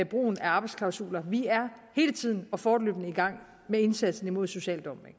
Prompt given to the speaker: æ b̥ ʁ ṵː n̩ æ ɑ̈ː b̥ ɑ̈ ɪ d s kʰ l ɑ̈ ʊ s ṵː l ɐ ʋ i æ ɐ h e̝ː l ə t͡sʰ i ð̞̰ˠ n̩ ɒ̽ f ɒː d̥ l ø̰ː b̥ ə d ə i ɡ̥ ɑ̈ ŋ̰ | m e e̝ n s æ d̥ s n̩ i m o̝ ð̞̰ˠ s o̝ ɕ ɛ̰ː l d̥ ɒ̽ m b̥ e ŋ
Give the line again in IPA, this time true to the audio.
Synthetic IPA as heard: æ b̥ ʁ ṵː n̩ æ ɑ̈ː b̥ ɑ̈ ɪ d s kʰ l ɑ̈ ʊ s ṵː l ɐ ʋ i æ ɐ h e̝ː l ə t͡sʰ i ð̞̰ˠ n̩ ɒ̽ f ɒː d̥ l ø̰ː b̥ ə n ə i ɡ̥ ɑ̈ ŋ̰ | m e e̝ n s æ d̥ s n̩ i m o̝ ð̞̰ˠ s o̝ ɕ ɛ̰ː l d̥ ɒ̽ m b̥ e ŋ